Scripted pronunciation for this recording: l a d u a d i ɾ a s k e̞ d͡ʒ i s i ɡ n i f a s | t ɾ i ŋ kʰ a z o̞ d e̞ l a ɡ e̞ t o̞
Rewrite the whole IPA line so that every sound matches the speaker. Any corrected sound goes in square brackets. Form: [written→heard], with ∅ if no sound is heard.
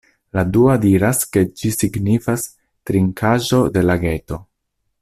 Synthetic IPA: l a d u a d i ɾ a s k e̞ d͡ʒ i s i ɡ n i f a s | t ɾ i ŋ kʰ a [z→ʒ] o̞ d e̞ l a ɡ e̞ t o̞